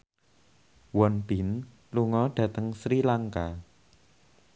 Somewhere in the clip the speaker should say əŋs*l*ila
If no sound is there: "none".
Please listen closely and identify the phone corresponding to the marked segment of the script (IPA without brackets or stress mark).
ɾ